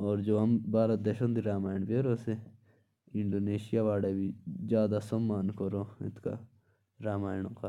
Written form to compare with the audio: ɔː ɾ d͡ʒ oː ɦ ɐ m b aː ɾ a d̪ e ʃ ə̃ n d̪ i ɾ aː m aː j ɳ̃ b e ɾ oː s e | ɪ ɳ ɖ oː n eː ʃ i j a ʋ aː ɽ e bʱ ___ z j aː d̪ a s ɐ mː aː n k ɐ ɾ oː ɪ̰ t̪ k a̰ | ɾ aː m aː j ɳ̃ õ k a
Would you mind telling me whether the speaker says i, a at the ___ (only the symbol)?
i